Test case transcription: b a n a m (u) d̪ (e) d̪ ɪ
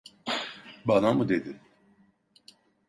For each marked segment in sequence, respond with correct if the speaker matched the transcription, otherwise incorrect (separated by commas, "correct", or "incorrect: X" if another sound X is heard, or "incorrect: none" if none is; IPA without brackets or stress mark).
correct, correct